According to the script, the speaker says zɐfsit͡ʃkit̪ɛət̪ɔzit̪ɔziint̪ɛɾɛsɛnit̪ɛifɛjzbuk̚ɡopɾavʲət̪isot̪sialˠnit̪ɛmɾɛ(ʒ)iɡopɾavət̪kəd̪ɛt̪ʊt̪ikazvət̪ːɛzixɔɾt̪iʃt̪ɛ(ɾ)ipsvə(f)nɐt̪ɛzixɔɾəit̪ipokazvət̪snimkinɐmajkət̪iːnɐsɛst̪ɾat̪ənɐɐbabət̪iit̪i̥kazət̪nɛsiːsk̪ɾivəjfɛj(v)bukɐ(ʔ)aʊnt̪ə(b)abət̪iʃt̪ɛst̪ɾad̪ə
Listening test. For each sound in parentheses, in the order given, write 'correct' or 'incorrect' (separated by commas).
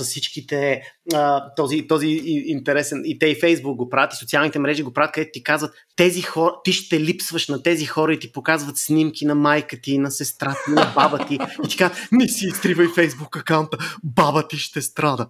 correct, incorrect, incorrect, incorrect, incorrect, correct